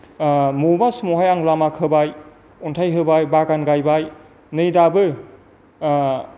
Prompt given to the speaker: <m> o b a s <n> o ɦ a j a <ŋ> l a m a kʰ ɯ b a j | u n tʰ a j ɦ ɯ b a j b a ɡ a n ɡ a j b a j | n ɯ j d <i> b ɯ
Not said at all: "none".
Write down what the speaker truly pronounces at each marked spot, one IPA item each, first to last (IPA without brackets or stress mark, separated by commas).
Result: m, m, ŋ, a